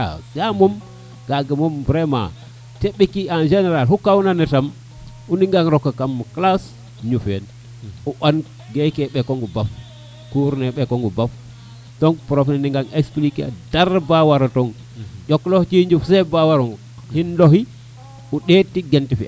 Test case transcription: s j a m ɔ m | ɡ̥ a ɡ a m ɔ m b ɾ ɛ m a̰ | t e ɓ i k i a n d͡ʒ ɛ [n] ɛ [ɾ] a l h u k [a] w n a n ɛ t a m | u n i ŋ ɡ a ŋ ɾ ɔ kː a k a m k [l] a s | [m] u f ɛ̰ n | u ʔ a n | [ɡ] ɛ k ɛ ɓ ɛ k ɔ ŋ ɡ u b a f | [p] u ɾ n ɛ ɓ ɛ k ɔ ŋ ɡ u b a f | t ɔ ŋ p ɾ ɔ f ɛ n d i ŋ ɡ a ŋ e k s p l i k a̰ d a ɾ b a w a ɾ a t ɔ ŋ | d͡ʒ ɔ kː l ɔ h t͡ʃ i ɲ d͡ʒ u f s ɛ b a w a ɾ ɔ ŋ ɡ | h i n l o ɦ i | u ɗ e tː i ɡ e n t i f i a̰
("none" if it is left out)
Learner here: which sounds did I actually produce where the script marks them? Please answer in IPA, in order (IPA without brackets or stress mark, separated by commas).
n, ɾ, a, l, ɲ, ɡ, k